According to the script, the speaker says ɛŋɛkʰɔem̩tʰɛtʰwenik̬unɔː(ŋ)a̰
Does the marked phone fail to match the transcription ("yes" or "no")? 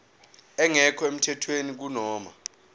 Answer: yes